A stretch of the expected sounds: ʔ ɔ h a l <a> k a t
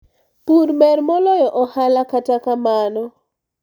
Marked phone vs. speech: correct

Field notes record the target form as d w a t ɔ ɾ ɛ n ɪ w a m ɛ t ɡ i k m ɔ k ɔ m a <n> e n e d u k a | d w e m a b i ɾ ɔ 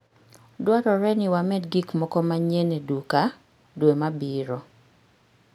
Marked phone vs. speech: incorrect: ɲ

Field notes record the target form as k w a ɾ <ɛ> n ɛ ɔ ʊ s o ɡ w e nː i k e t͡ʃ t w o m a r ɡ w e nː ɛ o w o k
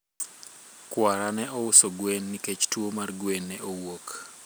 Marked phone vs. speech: incorrect: a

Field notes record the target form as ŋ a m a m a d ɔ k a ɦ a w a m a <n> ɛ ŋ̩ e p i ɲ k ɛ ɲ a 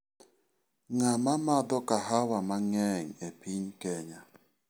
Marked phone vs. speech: incorrect: ŋ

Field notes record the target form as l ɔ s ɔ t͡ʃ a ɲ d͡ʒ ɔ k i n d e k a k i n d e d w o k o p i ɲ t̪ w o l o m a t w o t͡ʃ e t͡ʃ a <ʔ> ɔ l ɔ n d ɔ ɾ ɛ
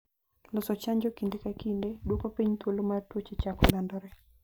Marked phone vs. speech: incorrect: k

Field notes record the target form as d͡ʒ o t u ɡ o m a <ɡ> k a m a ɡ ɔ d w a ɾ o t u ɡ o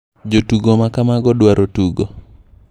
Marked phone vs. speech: incorrect: none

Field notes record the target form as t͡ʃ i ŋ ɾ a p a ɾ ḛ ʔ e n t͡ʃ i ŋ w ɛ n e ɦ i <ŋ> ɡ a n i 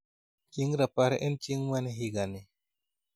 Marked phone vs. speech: incorrect: none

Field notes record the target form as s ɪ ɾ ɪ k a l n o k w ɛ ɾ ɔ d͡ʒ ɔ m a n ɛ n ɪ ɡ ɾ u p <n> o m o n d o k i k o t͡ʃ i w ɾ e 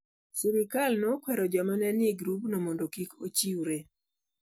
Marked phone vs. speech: correct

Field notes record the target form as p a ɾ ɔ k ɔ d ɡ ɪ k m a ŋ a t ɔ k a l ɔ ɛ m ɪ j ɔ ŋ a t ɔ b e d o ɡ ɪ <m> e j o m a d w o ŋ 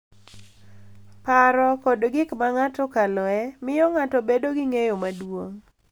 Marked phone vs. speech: incorrect: ŋ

